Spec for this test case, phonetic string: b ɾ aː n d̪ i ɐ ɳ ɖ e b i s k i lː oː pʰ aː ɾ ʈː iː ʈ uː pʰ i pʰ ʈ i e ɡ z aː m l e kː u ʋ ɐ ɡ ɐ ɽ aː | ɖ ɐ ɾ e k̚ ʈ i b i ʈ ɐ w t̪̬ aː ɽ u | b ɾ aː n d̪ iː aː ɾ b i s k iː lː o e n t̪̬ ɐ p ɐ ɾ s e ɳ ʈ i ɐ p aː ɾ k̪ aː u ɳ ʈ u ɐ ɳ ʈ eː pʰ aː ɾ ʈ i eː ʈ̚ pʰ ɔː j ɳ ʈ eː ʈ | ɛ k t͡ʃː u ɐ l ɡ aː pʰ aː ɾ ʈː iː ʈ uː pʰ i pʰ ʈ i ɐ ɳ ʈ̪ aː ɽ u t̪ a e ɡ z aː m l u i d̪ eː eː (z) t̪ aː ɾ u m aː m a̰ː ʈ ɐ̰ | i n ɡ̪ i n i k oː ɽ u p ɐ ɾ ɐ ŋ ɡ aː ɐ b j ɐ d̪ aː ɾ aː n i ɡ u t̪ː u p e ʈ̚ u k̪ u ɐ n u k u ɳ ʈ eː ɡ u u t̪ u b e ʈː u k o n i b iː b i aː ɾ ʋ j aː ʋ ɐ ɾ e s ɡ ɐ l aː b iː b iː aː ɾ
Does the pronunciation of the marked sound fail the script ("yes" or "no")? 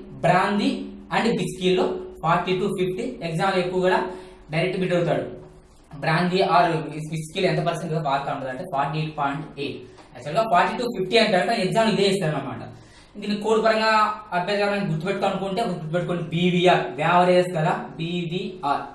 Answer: yes